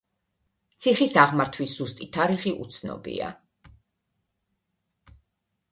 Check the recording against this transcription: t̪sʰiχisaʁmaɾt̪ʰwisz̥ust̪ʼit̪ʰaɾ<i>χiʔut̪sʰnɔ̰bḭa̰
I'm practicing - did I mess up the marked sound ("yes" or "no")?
no